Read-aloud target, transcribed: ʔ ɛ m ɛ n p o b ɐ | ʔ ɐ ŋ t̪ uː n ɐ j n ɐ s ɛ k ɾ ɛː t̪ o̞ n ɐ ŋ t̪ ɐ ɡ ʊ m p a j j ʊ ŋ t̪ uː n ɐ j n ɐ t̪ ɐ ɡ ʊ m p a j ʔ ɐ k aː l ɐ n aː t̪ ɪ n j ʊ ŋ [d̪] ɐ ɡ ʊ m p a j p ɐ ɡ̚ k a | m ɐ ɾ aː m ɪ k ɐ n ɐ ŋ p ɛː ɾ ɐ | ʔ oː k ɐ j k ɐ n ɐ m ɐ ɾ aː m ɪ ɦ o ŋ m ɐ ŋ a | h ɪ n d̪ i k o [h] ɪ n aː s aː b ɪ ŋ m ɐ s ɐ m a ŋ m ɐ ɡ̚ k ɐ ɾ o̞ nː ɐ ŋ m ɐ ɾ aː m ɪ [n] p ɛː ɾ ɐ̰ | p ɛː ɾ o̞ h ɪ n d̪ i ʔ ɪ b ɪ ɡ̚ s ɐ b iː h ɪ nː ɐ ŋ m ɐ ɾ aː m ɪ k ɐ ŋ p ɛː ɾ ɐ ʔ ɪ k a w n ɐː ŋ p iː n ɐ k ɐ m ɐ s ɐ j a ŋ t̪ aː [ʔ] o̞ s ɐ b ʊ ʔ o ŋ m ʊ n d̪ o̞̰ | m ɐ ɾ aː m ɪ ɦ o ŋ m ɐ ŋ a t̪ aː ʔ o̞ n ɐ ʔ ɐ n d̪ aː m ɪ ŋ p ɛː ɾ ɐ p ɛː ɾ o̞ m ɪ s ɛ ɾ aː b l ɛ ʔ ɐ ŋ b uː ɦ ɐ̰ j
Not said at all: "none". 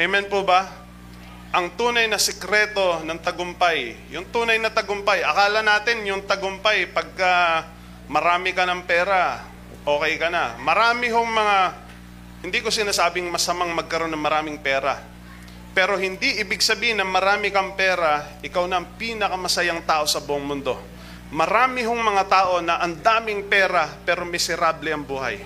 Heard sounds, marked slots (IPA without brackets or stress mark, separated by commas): t̪, s, ŋ, ʔ